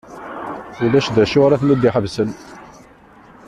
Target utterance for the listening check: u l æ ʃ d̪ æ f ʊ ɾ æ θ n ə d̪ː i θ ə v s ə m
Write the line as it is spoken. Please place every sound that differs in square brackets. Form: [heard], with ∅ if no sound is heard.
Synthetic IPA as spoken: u l æ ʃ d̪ æ [ʃ] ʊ ɾ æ θ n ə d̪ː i [ħ] ə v s ə [n]